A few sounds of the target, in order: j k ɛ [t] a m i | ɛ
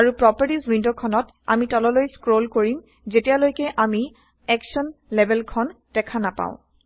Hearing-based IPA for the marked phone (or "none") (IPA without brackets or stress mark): ʔ